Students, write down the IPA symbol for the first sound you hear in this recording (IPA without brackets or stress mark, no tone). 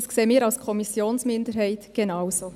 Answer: s